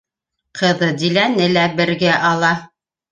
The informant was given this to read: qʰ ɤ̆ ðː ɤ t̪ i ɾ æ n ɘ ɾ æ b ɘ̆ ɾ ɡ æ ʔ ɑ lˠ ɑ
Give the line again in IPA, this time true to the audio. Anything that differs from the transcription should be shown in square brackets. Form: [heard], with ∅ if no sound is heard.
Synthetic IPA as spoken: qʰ ɤ̆ [ð] ɤ [d̪] i [l] æ n ɘ [l] æ b ɘ̆ ɾ ɡ æ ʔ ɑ lˠ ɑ